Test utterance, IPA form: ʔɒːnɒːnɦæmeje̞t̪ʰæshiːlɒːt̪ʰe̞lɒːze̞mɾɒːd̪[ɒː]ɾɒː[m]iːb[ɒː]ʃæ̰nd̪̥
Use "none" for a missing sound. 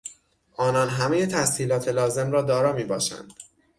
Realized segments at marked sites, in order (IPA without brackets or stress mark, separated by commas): ɒː, m, ɒː